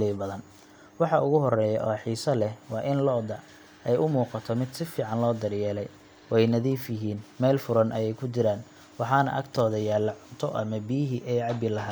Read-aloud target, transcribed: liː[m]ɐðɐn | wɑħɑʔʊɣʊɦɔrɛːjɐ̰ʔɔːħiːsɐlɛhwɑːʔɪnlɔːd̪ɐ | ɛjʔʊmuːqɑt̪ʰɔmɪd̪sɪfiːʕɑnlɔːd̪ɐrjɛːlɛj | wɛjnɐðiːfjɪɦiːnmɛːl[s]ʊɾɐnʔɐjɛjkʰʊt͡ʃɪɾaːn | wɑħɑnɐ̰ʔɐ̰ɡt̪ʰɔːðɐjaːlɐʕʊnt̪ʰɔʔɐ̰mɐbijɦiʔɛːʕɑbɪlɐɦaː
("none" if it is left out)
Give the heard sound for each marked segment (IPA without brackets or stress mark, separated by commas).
b, f